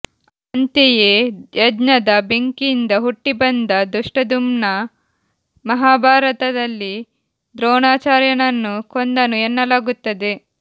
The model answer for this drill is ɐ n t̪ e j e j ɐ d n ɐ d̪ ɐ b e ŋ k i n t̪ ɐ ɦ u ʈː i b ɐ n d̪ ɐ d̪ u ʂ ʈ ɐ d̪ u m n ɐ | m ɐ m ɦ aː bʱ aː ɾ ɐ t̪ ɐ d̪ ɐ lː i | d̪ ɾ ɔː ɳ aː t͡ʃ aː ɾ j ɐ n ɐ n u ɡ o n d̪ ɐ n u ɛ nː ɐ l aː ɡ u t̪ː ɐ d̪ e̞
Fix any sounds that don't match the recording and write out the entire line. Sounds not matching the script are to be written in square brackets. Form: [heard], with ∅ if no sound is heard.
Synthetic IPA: ɐ n t̪ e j e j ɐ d n ɐ d̪ ɐ b e ŋ k i n [d̪] ɐ ɦ u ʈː i b ɐ n d̪ ɐ d̪ u ʂ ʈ ɐ d̪ u m n ɐ | m ɐ [∅] ɦ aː bʱ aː ɾ ɐ t̪ ɐ d̪ ɐ lː i | d̪ ɾ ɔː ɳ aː t͡ʃ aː ɾ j ɐ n ɐ [nː] u [k] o n d̪ ɐ n u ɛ nː ɐ l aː ɡ u t̪ː ɐ d̪ e̞